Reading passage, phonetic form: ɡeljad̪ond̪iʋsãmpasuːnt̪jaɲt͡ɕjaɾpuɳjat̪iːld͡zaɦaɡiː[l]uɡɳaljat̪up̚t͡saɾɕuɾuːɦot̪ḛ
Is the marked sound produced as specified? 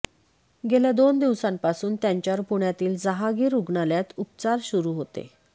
no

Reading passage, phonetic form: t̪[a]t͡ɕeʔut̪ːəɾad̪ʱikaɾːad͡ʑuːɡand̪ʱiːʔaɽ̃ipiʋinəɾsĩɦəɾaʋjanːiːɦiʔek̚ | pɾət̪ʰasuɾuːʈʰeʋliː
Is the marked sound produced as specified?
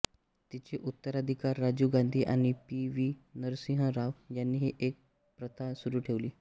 no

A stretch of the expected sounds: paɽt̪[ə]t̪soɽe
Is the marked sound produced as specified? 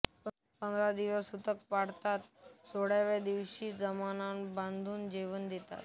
no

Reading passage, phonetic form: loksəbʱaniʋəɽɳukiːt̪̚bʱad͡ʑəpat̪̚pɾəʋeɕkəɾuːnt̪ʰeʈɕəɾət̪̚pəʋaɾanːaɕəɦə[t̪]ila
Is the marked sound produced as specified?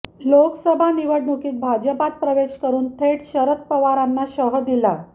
no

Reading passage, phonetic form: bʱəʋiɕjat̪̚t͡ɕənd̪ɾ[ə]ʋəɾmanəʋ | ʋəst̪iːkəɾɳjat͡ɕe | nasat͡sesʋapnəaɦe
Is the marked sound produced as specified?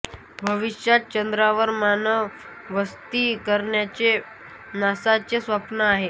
no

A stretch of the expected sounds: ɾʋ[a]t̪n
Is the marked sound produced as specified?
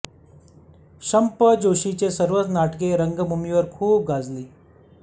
no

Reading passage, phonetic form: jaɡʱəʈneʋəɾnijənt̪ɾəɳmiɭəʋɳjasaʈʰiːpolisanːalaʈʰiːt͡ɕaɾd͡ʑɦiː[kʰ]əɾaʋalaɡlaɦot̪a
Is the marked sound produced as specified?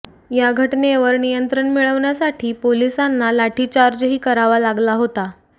no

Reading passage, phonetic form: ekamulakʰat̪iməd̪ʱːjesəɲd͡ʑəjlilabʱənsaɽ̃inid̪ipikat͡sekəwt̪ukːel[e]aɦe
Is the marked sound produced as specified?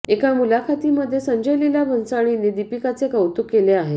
yes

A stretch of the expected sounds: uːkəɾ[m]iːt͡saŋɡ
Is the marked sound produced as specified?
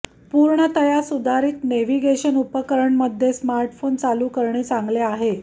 no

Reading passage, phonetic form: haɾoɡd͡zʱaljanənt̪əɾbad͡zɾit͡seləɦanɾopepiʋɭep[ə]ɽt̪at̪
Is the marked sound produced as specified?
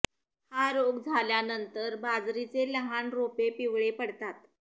yes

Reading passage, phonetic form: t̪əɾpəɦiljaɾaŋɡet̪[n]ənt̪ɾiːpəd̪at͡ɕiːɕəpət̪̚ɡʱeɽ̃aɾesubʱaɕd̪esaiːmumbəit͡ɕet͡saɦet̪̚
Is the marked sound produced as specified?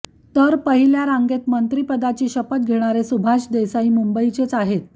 no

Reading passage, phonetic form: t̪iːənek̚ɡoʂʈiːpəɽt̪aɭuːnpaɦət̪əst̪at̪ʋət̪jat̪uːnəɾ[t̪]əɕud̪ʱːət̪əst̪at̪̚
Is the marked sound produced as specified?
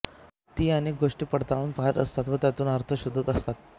no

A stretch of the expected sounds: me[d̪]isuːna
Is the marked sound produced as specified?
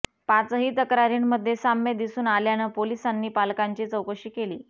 yes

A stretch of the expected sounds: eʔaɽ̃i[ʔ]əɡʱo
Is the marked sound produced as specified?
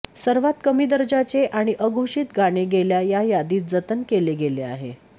yes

